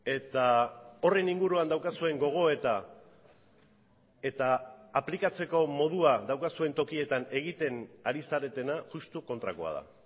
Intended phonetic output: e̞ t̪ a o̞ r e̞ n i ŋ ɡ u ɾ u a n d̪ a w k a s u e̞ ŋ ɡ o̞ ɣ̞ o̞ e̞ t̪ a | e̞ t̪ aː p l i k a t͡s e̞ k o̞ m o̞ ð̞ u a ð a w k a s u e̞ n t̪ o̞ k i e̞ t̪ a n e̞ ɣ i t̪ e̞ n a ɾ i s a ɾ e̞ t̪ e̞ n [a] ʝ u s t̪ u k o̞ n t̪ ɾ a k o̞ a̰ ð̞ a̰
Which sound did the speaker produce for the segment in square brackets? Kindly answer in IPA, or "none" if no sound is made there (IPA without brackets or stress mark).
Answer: a